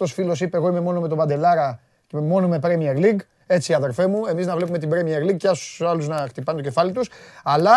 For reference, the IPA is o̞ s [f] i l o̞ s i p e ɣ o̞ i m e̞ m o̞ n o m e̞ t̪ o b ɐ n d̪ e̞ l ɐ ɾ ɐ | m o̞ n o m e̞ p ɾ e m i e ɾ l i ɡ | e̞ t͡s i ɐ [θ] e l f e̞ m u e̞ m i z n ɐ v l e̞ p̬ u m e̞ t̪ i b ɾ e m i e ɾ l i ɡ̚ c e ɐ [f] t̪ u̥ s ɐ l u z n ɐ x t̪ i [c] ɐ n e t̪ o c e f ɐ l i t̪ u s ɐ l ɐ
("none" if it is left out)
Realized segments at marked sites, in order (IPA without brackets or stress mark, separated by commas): f, ð, s, p